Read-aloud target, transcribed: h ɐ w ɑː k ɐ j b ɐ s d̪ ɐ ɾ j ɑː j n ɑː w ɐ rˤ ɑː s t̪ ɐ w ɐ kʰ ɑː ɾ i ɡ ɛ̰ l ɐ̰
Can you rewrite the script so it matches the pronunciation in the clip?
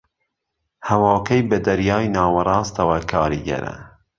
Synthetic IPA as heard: h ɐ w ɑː k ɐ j b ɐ d̪ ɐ ɾ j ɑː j n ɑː w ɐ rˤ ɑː s t̪ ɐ w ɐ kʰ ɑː ɾ i ɡ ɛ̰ ɾ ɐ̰